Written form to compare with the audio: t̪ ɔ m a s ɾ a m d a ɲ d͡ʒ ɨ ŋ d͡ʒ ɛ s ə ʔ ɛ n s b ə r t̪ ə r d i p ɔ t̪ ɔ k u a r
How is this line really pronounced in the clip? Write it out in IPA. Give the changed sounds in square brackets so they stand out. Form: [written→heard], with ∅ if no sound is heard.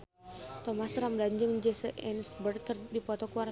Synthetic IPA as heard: t̪ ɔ m a s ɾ a m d a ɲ d͡ʒ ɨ ŋ d͡ʒ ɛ s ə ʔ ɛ n s b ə r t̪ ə r d i p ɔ t̪ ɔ k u a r